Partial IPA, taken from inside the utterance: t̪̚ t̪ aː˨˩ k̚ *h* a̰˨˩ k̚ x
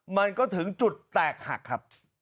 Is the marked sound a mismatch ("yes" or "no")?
no